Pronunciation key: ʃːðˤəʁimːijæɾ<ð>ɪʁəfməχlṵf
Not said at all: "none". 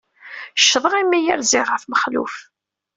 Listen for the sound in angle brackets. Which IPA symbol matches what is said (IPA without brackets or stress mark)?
z